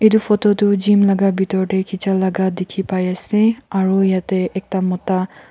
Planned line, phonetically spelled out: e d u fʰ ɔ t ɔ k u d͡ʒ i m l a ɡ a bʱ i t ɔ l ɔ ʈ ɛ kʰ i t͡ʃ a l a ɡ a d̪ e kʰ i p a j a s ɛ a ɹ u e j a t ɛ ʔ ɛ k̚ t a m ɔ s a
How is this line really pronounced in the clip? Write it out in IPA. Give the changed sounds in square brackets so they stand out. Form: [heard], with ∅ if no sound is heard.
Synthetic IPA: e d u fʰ ɔ t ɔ [t] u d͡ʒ i m l a ɡ a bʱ i t ɔ [ɹ] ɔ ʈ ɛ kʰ i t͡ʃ a l a ɡ a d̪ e kʰ i p a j a s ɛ a ɹ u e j a t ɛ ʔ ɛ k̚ t a m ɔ [t] a